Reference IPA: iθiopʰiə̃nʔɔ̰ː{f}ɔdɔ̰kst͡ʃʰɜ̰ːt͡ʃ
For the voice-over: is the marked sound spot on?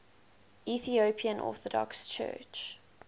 no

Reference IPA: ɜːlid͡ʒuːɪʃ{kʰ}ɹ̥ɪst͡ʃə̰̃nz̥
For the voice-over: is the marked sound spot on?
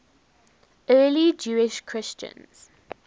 yes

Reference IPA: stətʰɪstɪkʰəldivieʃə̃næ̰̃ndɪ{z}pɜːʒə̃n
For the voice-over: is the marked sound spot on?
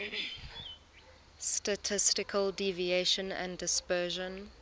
no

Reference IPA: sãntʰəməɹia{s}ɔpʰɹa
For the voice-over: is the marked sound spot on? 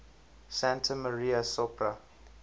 yes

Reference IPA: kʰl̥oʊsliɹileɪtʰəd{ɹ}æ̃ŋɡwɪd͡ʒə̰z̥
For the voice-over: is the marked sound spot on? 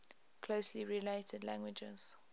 no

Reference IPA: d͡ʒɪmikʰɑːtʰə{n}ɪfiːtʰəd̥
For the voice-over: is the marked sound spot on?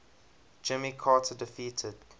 no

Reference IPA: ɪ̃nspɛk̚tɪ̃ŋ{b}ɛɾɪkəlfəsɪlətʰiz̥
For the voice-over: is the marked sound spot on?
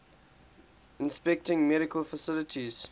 no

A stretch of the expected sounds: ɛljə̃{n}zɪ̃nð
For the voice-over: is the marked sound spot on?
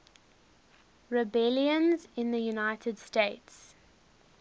yes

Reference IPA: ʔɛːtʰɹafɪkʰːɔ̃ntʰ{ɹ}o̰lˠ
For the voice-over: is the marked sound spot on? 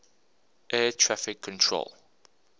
yes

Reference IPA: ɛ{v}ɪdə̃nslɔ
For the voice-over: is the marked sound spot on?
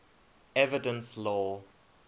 yes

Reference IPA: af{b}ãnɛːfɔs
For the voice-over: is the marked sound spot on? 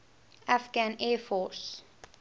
no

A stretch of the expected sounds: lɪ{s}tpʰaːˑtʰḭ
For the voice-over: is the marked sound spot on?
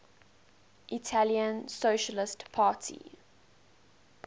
yes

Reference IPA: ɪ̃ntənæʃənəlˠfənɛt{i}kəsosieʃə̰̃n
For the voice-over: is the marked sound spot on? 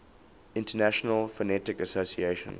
no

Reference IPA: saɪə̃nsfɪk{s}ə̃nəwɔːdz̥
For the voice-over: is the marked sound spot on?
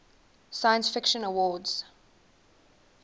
no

